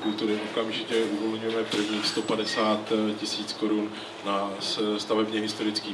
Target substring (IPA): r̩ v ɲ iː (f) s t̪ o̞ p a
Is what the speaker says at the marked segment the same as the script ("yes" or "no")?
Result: no